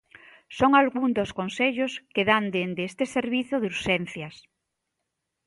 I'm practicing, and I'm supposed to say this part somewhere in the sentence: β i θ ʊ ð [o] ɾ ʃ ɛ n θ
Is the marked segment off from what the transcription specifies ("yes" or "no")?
yes